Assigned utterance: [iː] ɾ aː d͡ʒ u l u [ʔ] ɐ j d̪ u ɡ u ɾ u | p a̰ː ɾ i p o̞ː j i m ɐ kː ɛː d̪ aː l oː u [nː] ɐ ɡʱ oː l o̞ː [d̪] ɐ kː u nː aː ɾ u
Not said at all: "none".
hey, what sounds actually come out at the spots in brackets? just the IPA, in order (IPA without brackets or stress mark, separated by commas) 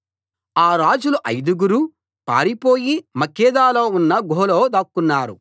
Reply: aː, ʔ, nː, d̪